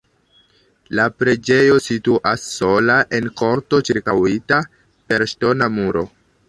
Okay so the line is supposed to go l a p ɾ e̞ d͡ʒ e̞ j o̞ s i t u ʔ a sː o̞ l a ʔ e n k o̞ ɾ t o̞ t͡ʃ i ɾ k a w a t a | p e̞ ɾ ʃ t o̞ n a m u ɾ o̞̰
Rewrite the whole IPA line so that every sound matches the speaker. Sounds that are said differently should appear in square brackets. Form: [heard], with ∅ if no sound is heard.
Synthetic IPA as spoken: l a p ɾ e̞ d͡ʒ e̞ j o̞ s i t u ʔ a sː o̞ l a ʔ e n k o̞ ɾ t o̞ t͡ʃ i ɾ k a w [i] t a | p e̞ ɾ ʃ t o̞ n a m u ɾ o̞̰